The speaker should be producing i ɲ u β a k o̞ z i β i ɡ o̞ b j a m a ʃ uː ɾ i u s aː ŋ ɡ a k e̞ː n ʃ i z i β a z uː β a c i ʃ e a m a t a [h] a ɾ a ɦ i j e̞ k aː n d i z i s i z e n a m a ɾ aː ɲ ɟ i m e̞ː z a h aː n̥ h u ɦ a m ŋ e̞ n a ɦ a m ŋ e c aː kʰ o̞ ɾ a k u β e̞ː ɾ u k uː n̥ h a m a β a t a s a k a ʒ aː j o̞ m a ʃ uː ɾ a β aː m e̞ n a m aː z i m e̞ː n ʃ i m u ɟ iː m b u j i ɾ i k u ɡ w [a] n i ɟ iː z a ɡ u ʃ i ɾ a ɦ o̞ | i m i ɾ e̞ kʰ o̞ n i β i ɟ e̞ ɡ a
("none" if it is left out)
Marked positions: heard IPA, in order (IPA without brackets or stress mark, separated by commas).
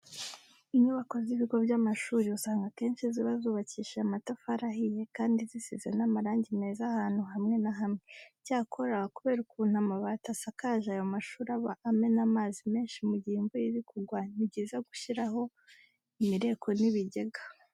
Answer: f, a